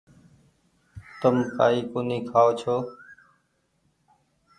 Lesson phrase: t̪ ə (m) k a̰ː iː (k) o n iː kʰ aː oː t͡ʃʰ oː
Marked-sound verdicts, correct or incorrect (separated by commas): correct, correct